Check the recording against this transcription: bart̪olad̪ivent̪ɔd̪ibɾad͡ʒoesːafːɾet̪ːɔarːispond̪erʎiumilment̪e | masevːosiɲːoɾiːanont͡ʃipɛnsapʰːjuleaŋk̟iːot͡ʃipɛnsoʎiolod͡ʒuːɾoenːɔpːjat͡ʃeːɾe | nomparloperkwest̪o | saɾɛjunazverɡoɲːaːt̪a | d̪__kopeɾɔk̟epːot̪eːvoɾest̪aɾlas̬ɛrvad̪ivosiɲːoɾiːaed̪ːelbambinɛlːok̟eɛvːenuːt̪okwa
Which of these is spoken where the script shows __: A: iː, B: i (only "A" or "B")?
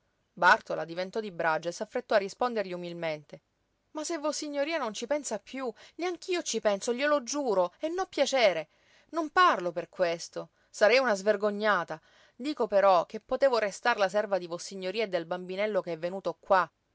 A